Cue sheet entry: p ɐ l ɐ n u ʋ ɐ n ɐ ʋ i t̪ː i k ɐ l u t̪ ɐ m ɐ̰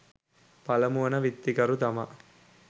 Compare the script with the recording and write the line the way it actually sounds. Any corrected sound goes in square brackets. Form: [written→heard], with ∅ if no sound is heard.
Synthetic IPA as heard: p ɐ l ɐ [n→m] u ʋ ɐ n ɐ ʋ i t̪ː i k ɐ [l→ɾ] u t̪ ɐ m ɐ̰